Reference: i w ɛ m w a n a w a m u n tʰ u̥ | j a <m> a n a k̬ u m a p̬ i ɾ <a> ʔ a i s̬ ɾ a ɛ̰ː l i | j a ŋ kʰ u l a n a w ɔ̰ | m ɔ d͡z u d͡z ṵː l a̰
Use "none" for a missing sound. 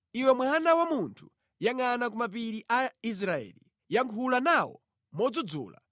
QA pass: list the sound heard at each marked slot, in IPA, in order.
ŋ, i

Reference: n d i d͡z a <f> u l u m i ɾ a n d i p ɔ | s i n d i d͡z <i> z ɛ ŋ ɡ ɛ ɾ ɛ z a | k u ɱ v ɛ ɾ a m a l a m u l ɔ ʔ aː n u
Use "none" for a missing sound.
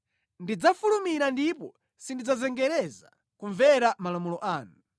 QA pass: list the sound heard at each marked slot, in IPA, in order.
f, a

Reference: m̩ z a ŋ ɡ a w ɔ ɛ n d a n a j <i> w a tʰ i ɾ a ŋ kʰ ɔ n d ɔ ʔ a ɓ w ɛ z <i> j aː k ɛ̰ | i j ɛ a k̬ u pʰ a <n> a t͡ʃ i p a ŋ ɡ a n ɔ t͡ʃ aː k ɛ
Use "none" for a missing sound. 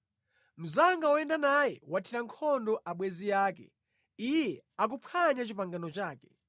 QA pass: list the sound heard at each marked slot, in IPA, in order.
ɛ, i, ɲ

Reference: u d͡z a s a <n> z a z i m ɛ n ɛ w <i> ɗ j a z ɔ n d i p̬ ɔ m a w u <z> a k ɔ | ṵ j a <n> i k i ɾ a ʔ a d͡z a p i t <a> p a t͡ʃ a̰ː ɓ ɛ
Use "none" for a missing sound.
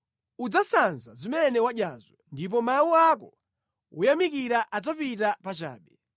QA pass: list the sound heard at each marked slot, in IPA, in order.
n, a, none, m, a

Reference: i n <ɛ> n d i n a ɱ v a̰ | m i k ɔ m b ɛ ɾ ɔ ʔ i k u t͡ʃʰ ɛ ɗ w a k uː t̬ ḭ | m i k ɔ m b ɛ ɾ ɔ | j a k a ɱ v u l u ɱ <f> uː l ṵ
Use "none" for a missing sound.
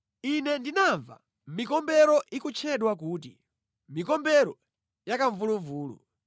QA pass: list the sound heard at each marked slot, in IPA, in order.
ɛ, v

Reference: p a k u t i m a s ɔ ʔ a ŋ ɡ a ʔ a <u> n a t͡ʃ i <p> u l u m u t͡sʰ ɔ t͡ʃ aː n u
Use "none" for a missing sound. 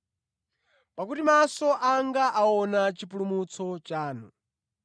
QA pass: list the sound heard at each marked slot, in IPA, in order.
ɔ, p

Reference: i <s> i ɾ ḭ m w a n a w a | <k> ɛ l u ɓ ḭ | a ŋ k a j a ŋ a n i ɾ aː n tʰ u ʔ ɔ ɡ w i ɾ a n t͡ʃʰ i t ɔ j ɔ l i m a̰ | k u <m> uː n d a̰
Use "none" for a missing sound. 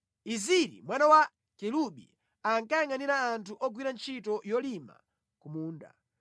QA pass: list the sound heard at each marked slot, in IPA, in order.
z, k, m

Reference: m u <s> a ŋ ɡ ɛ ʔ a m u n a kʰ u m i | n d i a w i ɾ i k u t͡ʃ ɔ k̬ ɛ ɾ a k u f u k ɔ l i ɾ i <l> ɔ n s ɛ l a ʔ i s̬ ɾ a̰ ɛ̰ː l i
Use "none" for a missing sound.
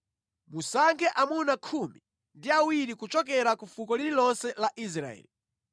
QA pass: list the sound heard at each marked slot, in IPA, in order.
s, l

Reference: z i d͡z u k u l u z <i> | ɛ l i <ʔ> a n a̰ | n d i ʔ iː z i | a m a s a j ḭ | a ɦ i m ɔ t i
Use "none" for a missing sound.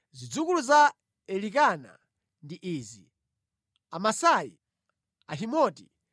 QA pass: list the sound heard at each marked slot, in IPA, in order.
a, k

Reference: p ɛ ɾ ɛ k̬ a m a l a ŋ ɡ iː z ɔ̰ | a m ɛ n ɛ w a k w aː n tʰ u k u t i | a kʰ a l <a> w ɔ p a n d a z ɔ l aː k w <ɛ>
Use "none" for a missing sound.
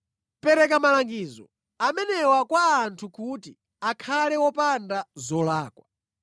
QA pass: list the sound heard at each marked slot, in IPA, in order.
ɛ, a

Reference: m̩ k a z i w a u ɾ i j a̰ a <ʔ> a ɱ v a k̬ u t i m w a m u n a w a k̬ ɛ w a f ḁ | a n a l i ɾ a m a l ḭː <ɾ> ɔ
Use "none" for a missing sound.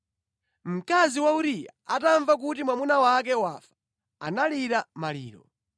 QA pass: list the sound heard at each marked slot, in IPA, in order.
t, ɾ

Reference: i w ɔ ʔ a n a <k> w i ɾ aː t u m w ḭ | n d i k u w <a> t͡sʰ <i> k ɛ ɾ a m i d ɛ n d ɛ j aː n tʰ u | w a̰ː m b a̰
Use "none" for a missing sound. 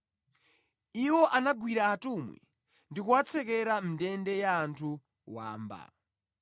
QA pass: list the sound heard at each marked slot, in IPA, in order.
ɡ, a, ɛ

